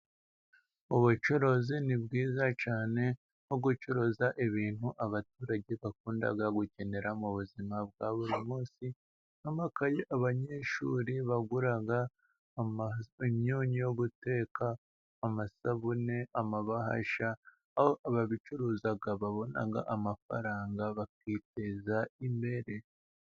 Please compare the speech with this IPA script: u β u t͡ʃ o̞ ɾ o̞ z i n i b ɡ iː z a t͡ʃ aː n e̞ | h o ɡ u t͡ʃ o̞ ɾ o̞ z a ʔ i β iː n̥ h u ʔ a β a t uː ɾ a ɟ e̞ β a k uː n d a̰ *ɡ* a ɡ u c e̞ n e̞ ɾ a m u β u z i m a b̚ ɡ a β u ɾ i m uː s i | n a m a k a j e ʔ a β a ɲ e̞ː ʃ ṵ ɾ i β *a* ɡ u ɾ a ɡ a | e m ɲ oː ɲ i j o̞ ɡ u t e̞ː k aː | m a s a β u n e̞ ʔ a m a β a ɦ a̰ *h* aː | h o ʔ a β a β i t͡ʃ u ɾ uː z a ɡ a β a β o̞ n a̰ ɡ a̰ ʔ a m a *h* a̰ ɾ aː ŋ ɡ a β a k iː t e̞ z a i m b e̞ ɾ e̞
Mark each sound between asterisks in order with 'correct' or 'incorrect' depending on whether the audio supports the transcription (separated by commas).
correct, correct, incorrect, incorrect